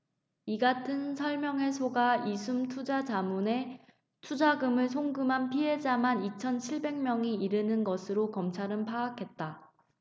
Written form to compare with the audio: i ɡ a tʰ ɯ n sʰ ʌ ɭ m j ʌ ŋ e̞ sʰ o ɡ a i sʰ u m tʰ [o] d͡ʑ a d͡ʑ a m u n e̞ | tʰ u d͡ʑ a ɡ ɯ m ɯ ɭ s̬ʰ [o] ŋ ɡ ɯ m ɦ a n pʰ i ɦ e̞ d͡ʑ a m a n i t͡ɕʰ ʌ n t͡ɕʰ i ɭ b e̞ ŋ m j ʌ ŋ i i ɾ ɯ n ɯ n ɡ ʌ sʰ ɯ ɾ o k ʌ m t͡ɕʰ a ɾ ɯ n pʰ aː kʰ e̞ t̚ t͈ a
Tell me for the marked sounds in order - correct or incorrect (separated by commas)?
incorrect, correct